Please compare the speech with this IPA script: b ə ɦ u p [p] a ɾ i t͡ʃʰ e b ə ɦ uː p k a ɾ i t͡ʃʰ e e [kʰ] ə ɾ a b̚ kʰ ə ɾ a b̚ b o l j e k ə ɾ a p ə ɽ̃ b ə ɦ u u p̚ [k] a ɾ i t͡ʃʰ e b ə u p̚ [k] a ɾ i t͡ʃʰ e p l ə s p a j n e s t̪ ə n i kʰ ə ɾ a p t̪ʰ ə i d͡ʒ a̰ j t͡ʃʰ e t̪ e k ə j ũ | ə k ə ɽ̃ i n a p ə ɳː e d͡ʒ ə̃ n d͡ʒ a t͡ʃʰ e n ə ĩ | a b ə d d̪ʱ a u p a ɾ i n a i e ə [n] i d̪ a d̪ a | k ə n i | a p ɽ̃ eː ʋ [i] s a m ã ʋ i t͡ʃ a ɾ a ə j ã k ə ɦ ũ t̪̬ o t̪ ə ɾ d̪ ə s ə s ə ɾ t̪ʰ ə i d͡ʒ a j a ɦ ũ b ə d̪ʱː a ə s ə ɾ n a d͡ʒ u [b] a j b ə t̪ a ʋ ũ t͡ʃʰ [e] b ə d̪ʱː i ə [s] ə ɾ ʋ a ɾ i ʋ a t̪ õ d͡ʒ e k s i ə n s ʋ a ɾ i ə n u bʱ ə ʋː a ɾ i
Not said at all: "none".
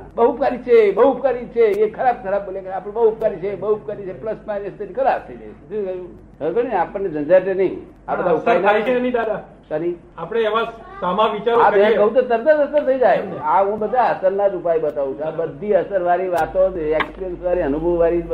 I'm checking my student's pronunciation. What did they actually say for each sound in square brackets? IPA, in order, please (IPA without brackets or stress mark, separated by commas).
k, kʰ, k, k, n, a, p, a, s